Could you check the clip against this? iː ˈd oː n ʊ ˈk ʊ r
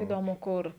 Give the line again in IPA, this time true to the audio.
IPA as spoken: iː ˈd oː m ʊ ˈk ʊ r

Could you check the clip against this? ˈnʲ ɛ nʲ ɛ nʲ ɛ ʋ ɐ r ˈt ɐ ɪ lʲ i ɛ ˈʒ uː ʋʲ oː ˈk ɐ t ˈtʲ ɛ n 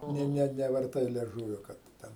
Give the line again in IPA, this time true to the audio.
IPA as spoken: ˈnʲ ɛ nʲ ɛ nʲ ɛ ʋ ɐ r ˈt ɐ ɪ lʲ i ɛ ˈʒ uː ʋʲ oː ˈk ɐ t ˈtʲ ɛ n

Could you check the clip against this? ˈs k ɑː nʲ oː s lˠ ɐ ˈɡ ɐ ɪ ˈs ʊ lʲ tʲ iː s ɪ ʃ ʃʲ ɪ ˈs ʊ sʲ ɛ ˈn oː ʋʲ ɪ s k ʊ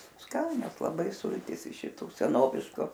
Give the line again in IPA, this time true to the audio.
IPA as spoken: ˈs k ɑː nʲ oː s lˠ ɐ ˈb ɐ ɪ ˈs ʊ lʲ tʲ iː s ɪ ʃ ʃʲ ɪ ˈt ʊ sʲ ɛ ˈn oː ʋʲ ɪ ʃ k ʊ

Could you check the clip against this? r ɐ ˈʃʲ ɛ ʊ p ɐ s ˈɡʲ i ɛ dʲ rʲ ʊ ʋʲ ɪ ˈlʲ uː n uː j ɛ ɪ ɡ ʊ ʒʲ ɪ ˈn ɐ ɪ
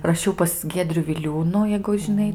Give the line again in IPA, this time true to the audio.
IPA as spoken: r ɐ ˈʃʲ ɛ ʊ p ɐ s ˈɡʲ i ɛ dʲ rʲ ʊ ʋʲ ɪ ˈlʲ uː n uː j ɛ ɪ ɡ ʊ ʒʲ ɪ ˈn ɐ ɪ

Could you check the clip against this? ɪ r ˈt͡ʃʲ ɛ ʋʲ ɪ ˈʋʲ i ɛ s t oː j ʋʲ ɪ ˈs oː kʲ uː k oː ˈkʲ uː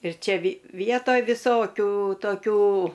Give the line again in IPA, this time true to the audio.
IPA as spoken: ɪ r ˈt͡ʃʲ ɛ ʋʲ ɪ ˈʋʲ i ɛ t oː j ʋʲ ɪ ˈs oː kʲ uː t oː ˈkʲ uː

